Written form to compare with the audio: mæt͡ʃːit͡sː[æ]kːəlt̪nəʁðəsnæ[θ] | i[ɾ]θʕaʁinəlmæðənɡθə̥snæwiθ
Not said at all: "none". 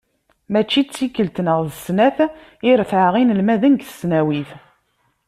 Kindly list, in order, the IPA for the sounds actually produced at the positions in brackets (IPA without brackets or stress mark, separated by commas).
i, θ, ɾ